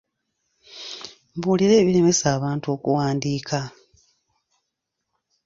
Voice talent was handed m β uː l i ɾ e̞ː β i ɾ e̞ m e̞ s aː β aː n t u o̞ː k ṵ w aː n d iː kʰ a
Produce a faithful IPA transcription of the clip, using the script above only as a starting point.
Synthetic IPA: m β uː l i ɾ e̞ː β i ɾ e̞ m e̞ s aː β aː n t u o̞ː k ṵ w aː n d iː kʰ a